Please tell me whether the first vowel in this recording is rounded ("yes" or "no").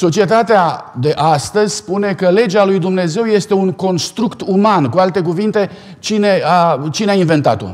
yes